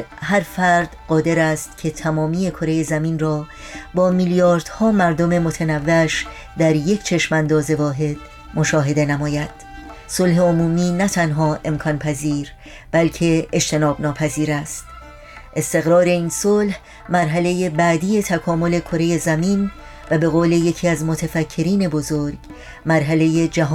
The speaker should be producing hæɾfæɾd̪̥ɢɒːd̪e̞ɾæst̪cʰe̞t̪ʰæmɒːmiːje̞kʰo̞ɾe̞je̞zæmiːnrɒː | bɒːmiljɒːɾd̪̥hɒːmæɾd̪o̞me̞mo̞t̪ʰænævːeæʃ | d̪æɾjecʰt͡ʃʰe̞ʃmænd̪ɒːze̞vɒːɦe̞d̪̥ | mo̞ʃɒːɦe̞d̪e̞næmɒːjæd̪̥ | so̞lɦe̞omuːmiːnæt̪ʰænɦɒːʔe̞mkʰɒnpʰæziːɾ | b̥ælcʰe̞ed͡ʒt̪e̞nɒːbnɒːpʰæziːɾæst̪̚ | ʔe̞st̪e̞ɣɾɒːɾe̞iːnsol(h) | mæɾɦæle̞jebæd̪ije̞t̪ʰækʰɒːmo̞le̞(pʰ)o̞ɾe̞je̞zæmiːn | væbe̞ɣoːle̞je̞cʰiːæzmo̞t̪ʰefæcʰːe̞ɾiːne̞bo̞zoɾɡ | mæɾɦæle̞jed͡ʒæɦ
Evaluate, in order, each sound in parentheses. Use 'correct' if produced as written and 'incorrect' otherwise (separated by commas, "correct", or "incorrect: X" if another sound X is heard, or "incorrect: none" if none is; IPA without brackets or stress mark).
correct, incorrect: kʰ